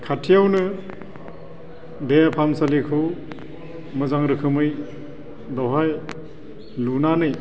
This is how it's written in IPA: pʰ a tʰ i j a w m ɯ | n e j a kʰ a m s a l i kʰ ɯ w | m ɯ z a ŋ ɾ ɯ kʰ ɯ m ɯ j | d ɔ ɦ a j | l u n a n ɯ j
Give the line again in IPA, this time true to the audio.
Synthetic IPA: kʰ a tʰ i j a w n ɯ | d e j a pʰ a m s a l i kʰ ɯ w | m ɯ z a ŋ ɾ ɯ kʰ ɯ m ɯ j | d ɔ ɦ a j | l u n a n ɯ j